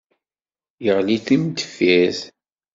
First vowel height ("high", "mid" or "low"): mid